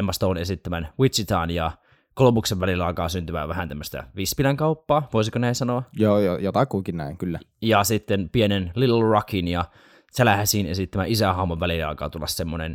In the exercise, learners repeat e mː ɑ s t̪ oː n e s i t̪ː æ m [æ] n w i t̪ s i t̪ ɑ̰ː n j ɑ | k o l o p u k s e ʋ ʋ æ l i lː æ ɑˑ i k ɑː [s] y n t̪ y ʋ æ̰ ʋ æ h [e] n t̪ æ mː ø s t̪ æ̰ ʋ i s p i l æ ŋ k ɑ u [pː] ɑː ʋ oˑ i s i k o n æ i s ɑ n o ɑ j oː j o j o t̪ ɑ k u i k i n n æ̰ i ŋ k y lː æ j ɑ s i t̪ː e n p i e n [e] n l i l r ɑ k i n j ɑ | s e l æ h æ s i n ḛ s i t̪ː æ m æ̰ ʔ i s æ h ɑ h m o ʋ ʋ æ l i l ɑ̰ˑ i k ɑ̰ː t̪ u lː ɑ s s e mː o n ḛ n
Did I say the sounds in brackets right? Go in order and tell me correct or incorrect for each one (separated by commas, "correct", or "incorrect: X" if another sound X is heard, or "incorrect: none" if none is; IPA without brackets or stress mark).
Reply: correct, correct, incorrect: æ, correct, correct